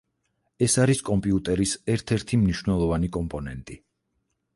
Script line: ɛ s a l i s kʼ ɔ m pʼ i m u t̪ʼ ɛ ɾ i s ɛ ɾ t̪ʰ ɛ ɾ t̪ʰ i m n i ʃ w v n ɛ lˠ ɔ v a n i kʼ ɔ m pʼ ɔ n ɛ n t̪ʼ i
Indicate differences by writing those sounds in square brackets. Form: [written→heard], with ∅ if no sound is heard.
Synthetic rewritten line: ɛ s a [l→ɾ] i s kʼ ɔ m pʼ i [m→∅] u t̪ʼ ɛ ɾ i s ɛ ɾ t̪ʰ ɛ ɾ t̪ʰ i m n i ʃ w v n ɛ lˠ ɔ v a n i kʼ ɔ m pʼ ɔ n ɛ n t̪ʼ i